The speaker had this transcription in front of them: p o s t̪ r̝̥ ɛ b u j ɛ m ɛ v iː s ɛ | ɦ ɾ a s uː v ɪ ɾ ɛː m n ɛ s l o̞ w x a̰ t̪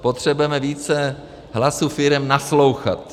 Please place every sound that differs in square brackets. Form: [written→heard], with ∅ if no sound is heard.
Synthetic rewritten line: p o [s→∅] t̪ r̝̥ ɛ b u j ɛ m ɛ v iː [s→t͡s] ɛ | ɦ [ɾ→l] a s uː [v→f] ɪ ɾ [ɛː→ɛ] m n [ɛ→a] s l o̞ w x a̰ t̪